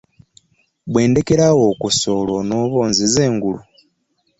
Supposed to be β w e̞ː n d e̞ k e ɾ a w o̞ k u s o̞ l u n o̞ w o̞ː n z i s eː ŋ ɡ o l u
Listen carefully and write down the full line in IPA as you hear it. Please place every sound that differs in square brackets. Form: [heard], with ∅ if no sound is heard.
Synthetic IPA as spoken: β w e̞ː n d e̞ k e ɾ a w o̞ k u s o̞ l [o] n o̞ [β] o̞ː n z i [z] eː ŋ ɡ [u] l u